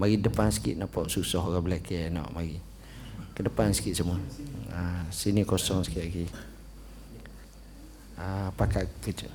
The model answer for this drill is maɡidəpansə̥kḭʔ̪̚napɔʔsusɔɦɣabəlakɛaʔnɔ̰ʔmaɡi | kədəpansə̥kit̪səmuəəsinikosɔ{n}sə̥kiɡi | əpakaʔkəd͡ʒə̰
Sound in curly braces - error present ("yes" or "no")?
yes